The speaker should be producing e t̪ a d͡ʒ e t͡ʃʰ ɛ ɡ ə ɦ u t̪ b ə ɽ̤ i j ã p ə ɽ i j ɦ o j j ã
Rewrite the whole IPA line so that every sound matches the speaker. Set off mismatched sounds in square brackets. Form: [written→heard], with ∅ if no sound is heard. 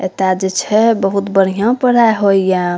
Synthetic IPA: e t̪ a d͡ʒ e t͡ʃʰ ɛ [ɡ→b] ə ɦ u t̪ b ə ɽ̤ i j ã p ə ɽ [i→a] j ɦ o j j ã